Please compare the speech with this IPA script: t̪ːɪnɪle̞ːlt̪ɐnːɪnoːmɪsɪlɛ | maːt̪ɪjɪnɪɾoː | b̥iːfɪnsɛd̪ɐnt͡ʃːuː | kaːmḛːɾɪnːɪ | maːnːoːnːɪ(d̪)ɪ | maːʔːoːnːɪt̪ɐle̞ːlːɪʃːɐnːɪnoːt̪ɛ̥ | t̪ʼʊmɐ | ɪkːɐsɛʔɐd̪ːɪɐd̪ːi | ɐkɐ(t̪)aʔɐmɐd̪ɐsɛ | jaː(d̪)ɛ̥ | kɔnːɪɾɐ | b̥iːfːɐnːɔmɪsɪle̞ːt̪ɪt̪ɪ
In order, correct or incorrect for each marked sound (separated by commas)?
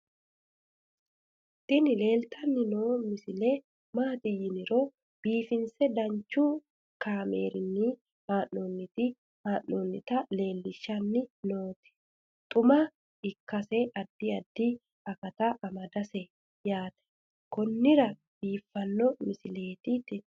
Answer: incorrect, correct, incorrect